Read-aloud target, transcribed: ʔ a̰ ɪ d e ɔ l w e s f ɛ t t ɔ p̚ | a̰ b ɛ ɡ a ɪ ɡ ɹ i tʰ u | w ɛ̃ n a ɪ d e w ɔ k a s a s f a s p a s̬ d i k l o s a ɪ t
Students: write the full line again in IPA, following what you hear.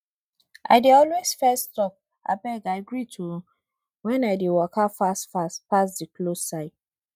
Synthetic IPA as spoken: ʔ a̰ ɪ d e ɔ l w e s f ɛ s t ɔ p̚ | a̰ b ɛ ɡ a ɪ ɡ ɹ i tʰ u | w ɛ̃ n a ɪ d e w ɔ k a f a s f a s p a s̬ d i k l o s a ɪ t

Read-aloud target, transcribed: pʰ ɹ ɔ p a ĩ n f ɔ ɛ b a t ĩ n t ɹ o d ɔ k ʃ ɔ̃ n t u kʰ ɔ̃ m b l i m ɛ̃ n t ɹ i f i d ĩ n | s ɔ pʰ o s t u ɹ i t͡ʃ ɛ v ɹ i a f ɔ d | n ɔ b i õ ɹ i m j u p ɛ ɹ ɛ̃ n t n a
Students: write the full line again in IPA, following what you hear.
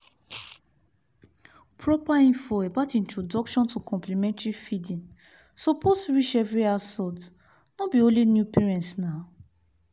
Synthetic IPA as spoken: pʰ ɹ ɔ p a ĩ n f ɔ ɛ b a t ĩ n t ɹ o d ɔ k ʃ ɔ̃ n t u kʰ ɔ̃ m p l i m ɛ̃ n t ɹ i f i d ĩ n | s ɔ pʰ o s t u ɹ i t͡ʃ ɛ v ɹ i a s ɔ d | n ɔ b i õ l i n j u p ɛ ɹ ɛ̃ n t n a

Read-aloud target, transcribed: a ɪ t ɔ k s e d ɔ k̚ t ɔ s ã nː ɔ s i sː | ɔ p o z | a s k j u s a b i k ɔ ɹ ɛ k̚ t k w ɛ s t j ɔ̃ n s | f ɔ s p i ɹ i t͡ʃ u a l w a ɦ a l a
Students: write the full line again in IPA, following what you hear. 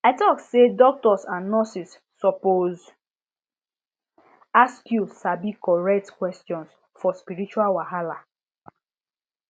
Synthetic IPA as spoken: a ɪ t ɔ k s e d ɔ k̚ t ɔ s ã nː ɔ s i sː | ɔ p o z | a s k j u s a b i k ɔ ɹ ɛ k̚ t k w ɛ s t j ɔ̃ n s | f ɔ s p i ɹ i t͡ʃ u a l w a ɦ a l a

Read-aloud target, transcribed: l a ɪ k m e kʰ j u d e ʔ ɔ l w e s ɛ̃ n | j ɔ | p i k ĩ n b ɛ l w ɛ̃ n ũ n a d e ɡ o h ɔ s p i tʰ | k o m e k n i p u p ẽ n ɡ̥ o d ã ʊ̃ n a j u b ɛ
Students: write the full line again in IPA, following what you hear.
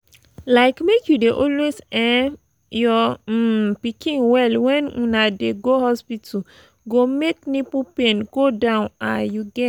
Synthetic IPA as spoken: l a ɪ k m e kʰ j u d e ʔ ɔ l w e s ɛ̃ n | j ɔ | p i k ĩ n w ɛ l w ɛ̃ n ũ n a d e ɡ o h ɔ s p i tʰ | ɡ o m e k n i p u p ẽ n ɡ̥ o d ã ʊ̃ n a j u ɡ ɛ

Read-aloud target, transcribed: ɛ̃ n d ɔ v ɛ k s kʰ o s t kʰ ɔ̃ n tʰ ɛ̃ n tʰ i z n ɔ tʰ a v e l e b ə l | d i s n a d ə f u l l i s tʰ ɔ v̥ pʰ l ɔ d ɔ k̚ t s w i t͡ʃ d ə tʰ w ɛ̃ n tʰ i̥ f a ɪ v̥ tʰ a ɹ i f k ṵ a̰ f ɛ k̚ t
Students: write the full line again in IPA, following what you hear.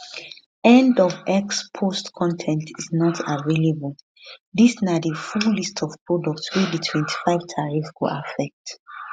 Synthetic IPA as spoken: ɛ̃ n d ɔ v ɛ k s pʰ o s t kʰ ɔ̃ n tʰ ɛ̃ n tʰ i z n ɔ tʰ a v e l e b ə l | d i s n a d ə f u l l i s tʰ ɔ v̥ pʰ ɹ ɔ d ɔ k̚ t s w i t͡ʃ d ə tʰ w ɛ̃ n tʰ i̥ f a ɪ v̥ tʰ a ɹ i f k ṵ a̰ f ɛ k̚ t

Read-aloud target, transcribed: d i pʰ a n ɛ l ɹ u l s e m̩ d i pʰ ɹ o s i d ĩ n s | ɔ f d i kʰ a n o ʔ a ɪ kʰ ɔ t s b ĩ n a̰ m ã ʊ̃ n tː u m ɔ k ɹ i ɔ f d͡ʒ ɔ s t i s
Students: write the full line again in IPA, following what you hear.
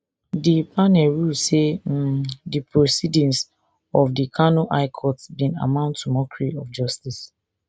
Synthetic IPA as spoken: d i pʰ a n ɛ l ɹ u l s e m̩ d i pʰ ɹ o s i d ĩ n s | ɔ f d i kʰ a n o ʔ a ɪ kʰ ɔ t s b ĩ n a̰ m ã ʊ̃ n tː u m ɔ k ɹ i ɔ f d͡ʒ ɔ s t i s

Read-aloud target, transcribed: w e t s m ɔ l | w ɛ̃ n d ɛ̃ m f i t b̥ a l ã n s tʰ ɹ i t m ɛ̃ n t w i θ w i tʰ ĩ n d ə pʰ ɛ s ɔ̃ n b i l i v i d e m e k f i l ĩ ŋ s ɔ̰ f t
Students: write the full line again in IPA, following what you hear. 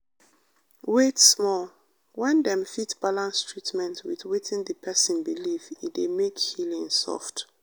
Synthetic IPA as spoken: w e t s m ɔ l | w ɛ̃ n d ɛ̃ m f i t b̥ a l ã n s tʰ ɹ i t m ɛ̃ n t w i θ w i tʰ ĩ n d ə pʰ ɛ s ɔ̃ n b i l i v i d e m e k h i l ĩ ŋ s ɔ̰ f t

